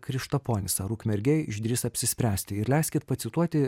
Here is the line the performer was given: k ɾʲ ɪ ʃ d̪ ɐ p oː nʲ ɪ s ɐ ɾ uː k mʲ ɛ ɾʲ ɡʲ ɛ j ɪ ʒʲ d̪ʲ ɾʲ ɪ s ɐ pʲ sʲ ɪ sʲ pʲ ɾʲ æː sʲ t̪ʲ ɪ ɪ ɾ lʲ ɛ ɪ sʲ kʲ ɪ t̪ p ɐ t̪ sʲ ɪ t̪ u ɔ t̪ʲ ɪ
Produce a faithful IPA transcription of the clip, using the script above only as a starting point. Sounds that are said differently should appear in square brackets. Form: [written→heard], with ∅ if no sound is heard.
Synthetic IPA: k ɾʲ ɪ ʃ [d̪→t̪] ɐ p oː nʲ ɪ s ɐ ɾ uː k mʲ ɛ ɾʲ ɡʲ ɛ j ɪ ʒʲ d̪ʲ ɾʲ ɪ s ɐ pʲ sʲ ɪ sʲ pʲ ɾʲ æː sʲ t̪ʲ ɪ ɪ ɾ lʲ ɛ ɪ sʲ kʲ ɪ t̪ p ɐ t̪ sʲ ɪ t̪ u ɔ t̪ʲ ɪ